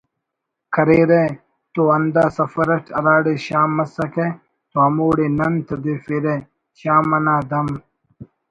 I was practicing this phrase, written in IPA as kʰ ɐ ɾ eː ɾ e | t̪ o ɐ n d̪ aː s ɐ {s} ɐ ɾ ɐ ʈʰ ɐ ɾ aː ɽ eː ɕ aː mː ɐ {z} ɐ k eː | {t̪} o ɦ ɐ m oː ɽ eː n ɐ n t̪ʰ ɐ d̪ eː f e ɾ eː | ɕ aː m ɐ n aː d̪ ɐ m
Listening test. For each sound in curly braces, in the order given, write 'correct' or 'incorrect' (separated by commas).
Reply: incorrect, incorrect, correct